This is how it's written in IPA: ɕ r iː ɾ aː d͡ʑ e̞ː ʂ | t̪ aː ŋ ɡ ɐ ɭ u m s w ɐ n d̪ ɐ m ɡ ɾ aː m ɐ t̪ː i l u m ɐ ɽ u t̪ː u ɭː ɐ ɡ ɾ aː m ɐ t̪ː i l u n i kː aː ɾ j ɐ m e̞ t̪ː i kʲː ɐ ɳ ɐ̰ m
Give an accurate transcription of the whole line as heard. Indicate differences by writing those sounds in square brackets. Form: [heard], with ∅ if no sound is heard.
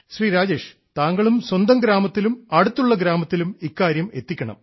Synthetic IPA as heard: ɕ r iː ɾ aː d͡ʑ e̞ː ʂ | t̪ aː ŋ ɡ ɐ ɭ u m s w ɐ n d̪ ɐ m ɡ ɾ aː m ɐ t̪ː i l u m ɐ ɽ u t̪ː u ɭː ɐ ɡ ɾ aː m ɐ t̪ː i l u [m] i kː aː ɾ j ɐ m e̞ t̪ː i kʲː ɐ ɳ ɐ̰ m